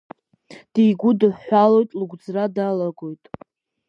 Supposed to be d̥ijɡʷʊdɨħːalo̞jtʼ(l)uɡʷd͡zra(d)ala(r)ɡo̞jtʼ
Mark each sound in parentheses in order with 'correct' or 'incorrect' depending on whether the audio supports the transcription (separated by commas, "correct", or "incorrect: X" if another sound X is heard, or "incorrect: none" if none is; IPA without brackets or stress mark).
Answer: correct, correct, incorrect: none